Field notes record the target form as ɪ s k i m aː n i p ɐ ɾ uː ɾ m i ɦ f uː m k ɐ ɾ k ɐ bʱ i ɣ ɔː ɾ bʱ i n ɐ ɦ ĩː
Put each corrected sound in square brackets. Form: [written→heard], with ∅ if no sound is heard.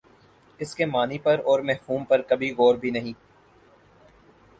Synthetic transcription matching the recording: ɪ s k [i→e] m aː n i p ɐ ɾ [uː→ɔː] ɾ m [i→ɛ] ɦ f uː m [k→p] ɐ ɾ k ɐ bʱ i ɣ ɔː ɾ bʱ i n ɐ ɦ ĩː